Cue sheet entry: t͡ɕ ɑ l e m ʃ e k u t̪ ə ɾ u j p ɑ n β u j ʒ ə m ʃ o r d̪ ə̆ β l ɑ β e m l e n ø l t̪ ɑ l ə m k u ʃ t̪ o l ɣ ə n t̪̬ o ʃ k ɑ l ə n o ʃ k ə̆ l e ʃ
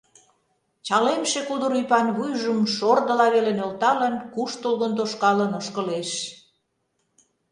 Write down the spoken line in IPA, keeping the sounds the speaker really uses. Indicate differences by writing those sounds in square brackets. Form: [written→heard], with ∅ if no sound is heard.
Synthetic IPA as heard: t͡ɕ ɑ l e m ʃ e k u [t̪→d̪] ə ɾ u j p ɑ n β u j ʒ ə m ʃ o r d̪ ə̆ [β→∅] l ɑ β e [m→∅] l e n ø l t̪ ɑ l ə [m→n] k u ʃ t̪ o l ɣ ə n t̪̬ o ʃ k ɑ l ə n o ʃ k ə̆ l e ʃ